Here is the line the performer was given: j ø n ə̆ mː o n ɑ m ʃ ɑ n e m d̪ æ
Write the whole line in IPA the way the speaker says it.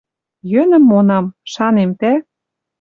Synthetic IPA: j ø n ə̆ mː o n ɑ m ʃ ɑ n e m t̪ æ